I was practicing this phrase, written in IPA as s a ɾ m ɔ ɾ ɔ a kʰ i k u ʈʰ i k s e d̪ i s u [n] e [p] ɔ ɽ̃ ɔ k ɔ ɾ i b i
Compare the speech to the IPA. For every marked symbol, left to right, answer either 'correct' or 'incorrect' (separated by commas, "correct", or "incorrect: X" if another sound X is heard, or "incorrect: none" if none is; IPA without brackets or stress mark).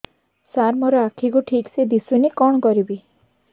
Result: correct, incorrect: k